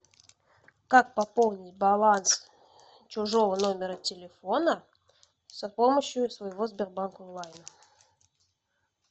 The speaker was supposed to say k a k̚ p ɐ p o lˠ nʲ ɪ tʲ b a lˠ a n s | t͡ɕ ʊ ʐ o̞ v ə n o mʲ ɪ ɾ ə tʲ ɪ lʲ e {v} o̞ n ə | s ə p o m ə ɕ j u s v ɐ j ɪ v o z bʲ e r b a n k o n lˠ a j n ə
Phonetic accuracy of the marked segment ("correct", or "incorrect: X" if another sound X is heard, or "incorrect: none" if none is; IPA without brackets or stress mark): incorrect: f